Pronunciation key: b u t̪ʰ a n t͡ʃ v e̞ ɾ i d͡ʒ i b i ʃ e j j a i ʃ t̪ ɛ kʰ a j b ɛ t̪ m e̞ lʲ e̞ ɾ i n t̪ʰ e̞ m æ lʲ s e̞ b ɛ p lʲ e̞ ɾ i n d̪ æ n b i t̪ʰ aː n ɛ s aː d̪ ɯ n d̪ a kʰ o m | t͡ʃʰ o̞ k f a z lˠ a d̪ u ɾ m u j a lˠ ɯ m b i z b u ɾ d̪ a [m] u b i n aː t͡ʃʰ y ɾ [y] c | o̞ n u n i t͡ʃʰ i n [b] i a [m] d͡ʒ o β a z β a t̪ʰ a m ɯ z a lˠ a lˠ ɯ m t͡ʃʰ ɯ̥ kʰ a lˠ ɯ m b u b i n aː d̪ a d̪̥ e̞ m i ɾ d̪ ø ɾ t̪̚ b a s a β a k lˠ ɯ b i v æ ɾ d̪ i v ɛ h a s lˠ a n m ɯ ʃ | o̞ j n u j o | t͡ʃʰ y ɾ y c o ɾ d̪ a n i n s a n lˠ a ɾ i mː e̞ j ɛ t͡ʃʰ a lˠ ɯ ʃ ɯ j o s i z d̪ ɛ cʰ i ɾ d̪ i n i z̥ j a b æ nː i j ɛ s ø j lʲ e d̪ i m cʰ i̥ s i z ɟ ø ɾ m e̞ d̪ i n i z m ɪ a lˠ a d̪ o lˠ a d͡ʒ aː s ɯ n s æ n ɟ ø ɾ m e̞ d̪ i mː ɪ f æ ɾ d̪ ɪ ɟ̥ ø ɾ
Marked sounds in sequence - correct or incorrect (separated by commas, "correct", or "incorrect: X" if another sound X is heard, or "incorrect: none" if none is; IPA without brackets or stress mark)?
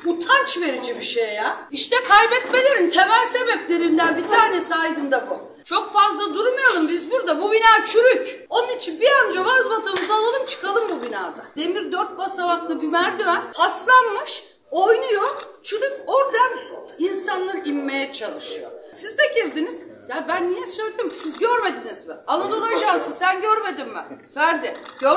incorrect: b, correct, correct, incorrect: n